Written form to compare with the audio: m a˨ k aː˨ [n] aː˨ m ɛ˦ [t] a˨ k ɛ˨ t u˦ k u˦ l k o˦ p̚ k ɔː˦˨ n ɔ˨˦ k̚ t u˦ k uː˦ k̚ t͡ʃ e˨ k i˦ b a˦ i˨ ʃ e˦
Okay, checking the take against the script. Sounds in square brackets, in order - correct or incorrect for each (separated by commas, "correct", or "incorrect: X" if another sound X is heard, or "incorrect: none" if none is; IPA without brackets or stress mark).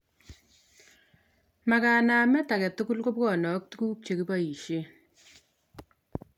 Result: correct, correct